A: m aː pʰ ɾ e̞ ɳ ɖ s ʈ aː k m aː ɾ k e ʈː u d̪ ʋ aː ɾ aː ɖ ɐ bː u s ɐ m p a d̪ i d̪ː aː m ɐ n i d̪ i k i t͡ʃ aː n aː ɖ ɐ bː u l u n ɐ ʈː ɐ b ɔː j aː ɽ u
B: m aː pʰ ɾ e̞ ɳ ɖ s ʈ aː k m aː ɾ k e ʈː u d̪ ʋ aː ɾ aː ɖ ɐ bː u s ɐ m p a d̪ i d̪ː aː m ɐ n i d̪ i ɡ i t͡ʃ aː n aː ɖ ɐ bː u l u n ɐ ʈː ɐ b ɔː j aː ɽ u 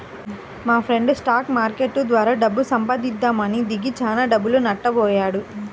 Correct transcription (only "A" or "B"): B